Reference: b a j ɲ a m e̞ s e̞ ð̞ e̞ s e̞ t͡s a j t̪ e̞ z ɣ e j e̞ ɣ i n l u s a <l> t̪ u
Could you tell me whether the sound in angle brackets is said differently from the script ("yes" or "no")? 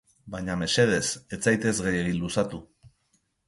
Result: yes